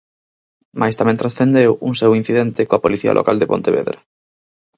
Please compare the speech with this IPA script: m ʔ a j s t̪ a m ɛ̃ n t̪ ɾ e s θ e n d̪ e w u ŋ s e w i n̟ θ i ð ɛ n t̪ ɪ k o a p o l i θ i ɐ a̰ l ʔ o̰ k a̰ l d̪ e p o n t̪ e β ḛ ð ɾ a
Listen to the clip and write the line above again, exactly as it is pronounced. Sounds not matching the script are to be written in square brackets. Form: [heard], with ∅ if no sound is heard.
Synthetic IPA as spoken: m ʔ a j s t̪ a m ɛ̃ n t̪ ɾ [a] s θ e n d̪ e w u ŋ s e w i n̟ θ i ð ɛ n t̪ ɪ k o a p o l i θ i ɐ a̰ l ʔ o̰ k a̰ l d̪ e p o n t̪ e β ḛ ð ɾ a